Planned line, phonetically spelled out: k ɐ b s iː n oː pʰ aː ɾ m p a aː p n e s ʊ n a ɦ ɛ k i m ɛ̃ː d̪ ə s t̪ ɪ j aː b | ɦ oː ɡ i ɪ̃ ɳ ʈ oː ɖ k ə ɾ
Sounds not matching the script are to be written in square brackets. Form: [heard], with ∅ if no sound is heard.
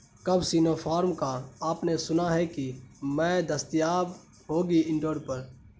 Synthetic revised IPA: k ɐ b s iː n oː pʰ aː ɾ m [k] a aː p n e s ʊ n a ɦ ɛ k i m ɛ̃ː d̪ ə s t̪ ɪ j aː b | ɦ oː ɡ i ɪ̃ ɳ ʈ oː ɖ [p] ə ɾ